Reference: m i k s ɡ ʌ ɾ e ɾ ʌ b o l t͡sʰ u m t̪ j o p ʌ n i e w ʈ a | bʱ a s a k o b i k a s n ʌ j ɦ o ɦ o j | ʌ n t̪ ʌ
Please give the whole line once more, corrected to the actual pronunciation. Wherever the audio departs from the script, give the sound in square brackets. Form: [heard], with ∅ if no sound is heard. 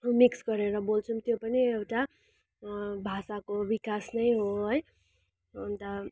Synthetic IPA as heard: m i k s ɡ ʌ ɾ e ɾ ʌ b o l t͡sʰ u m t̪ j o p ʌ n i e w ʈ a | bʱ a s a k o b i k a s n ʌ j ɦ o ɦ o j | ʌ n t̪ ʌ